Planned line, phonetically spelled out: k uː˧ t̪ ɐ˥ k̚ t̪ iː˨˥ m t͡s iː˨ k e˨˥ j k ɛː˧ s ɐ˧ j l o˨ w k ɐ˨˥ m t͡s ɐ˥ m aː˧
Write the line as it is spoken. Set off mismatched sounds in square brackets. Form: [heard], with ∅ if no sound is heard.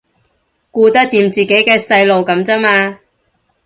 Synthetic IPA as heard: k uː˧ t̪ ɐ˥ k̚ t̪ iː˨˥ m t͡s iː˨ k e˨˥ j k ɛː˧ s ɐ˧ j l o˨ w k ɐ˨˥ m t͡s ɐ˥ m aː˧